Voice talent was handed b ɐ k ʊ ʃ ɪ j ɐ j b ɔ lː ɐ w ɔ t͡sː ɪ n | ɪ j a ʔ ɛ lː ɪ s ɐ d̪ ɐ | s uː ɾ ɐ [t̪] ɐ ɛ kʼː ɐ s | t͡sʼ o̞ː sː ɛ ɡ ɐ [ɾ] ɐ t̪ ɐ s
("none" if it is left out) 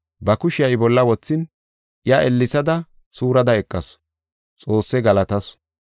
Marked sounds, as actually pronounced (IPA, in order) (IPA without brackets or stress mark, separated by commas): d̪, l